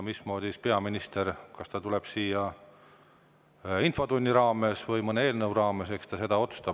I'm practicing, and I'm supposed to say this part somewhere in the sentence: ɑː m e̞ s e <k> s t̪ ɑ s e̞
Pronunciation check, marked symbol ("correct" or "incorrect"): correct